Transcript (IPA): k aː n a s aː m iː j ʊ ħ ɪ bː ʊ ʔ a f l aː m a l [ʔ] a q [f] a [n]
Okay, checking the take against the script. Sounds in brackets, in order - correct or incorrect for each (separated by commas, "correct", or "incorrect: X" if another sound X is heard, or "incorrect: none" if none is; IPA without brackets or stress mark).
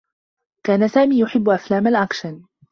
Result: correct, incorrect: ʃ, correct